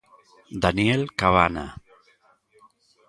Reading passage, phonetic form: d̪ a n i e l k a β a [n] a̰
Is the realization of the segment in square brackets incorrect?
no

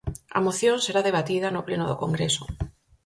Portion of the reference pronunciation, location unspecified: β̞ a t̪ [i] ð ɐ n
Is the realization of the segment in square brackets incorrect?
no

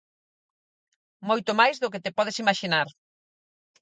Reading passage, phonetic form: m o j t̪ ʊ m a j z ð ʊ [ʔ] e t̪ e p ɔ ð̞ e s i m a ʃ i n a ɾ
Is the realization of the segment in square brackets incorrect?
yes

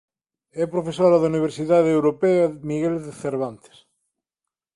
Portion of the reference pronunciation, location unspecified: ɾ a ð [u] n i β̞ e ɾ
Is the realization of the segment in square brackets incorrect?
no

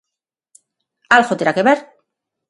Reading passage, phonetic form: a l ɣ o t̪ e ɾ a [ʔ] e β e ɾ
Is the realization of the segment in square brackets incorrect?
yes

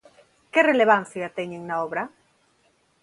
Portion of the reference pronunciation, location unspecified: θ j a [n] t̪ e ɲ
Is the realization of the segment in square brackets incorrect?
yes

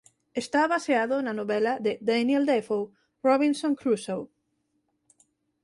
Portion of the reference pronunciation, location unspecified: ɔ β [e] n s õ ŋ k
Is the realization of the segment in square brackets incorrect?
yes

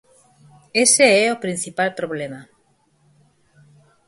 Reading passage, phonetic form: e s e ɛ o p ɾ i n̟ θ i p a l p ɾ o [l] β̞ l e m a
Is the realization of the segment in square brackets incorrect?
yes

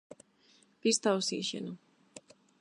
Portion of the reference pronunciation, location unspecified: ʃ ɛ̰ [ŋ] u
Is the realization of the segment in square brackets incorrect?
yes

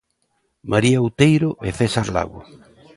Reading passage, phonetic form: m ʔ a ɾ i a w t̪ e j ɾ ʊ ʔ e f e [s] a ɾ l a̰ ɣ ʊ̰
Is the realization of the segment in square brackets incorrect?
no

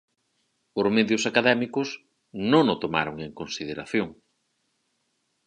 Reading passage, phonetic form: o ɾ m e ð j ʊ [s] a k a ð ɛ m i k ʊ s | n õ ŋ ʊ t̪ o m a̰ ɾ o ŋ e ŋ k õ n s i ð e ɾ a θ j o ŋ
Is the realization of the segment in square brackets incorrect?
no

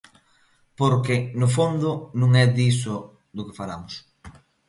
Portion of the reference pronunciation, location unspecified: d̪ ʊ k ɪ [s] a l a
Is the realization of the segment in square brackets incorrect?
yes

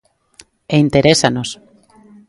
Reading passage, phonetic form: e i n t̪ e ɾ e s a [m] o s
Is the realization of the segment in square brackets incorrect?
yes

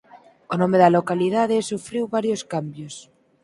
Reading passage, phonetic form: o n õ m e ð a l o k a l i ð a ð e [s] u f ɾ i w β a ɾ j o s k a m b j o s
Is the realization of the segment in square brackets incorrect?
no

